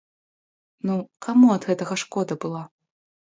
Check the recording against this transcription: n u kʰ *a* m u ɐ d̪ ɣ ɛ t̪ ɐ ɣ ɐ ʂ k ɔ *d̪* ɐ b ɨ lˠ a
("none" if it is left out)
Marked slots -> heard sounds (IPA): a, d̪

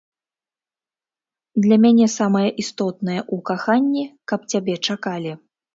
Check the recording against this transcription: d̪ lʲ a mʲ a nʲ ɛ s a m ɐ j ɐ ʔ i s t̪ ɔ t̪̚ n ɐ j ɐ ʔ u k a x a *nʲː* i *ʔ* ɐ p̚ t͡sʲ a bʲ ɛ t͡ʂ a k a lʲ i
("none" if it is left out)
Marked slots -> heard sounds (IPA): nʲː, k

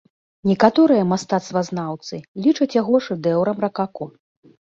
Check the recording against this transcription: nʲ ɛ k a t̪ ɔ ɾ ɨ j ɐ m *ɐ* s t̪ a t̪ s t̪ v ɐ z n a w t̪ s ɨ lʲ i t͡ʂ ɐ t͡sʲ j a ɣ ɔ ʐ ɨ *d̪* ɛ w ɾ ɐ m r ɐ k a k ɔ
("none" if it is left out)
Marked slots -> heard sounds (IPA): a, d̪

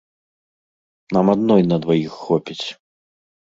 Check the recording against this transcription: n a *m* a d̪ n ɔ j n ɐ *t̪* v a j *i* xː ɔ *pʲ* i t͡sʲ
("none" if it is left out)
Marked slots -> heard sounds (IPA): m, d̪, i, pʲ

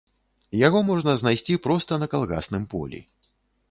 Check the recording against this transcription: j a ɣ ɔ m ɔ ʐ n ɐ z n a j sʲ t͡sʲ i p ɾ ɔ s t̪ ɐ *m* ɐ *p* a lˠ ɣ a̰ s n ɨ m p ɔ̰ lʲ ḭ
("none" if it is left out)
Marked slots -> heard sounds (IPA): n, k

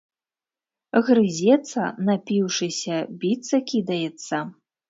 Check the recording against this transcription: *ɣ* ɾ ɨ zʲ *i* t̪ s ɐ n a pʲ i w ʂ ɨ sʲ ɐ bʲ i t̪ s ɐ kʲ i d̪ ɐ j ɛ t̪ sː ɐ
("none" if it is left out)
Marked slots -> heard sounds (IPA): ɣ, ɛ

